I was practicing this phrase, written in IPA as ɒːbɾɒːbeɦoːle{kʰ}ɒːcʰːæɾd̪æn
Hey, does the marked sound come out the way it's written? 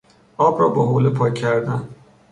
no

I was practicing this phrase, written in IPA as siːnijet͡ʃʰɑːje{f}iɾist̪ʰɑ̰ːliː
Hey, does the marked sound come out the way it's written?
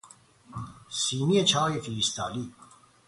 yes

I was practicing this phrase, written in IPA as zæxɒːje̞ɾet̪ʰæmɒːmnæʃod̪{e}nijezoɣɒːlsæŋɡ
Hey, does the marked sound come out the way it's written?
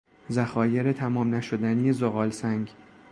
no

